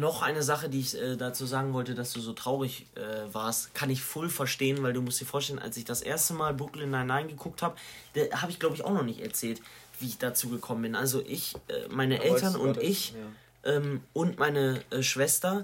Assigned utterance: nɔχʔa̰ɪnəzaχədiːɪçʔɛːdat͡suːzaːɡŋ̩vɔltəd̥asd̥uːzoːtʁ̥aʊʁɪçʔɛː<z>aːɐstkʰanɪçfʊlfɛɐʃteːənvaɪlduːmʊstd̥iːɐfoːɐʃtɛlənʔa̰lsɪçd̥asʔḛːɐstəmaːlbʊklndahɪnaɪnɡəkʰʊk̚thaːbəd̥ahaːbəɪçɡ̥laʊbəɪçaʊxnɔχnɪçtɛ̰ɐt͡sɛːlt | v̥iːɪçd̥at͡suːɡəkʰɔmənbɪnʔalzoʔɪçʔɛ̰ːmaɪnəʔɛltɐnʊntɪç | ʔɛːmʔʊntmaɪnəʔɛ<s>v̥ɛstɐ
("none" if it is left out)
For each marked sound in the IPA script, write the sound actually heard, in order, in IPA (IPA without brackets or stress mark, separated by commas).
v, ʃ